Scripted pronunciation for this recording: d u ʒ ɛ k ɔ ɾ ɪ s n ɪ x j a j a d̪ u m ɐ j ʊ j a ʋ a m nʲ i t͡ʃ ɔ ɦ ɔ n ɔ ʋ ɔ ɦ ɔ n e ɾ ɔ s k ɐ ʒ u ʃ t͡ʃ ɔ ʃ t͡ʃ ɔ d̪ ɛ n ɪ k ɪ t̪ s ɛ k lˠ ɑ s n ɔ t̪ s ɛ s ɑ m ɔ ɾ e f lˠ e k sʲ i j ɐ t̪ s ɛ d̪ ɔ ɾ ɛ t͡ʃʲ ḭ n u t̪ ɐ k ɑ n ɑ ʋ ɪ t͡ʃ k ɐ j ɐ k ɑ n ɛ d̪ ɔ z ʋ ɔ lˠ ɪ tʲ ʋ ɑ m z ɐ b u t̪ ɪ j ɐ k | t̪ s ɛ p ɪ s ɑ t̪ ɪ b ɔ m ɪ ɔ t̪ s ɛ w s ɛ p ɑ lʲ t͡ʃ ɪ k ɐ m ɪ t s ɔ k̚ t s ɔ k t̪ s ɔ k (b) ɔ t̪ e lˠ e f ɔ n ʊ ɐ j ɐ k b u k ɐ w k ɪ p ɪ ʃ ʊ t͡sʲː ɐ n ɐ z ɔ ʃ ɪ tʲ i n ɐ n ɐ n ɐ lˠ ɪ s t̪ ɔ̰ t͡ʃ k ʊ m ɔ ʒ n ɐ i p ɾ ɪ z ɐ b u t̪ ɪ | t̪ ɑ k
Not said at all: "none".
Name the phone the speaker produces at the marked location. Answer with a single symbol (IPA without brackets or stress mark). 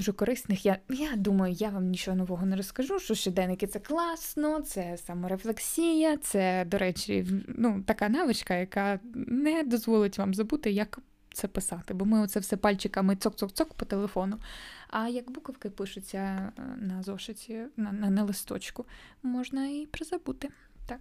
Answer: p